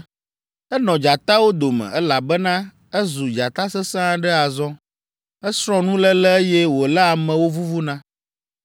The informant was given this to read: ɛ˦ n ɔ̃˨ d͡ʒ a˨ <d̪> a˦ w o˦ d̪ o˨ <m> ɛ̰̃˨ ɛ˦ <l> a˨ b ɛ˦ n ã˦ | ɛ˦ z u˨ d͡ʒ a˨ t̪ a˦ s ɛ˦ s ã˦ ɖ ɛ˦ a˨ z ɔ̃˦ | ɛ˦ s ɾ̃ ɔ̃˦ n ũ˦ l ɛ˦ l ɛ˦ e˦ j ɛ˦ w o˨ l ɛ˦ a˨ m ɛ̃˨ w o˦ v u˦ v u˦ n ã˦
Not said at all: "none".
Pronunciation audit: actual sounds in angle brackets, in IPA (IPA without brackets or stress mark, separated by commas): t̪, m, l